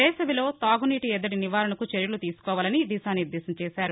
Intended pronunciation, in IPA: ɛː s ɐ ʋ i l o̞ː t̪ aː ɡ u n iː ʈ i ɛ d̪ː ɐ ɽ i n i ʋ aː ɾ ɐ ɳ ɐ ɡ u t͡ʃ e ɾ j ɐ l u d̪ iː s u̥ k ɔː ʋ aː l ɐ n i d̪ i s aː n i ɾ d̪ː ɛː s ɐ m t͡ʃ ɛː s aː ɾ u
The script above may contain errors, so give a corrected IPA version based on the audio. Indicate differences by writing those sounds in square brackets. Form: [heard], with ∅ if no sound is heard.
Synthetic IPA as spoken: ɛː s ɐ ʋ i l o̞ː t̪ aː ɡ u n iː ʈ i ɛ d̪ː ɐ ɽ i n i ʋ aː ɾ ɐ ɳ ɐ [k] u t͡ʃ e ɾ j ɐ l u [t̪] iː s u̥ k ɔː ʋ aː l ɐ n i d̪ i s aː n i ɾ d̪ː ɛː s ɐ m t͡ʃ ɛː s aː ɾ u